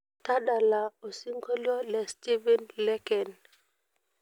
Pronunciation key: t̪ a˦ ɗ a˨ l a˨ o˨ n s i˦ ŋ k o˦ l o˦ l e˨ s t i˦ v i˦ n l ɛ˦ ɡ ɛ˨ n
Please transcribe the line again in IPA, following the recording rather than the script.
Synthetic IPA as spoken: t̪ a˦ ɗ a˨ l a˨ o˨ s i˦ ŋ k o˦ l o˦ l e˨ s t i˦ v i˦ n l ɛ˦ k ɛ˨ n